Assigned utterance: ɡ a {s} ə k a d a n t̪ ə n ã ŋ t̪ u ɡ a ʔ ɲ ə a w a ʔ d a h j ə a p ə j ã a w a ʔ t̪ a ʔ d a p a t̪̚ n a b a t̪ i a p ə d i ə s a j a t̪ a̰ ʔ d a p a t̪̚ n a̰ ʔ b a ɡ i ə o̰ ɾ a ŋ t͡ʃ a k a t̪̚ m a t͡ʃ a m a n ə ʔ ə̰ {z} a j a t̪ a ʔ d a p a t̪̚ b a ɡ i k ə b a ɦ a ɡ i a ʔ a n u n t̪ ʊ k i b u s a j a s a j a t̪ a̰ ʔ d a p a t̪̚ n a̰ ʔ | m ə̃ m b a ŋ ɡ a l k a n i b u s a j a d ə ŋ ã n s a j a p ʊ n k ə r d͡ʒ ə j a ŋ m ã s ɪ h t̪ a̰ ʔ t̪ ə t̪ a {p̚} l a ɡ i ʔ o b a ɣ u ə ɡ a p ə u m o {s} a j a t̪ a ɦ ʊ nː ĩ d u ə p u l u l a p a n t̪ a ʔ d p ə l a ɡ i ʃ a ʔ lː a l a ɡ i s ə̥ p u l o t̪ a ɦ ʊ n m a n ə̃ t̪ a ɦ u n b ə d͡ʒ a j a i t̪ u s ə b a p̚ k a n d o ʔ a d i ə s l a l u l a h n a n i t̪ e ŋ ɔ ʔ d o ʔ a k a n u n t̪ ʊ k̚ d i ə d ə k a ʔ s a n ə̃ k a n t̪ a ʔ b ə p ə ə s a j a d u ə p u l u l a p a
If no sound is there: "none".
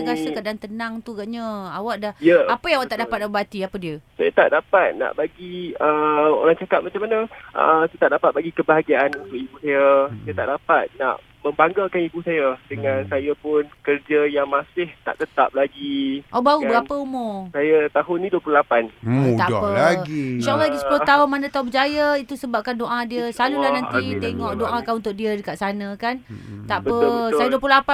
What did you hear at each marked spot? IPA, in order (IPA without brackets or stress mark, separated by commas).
s, s, p̚, s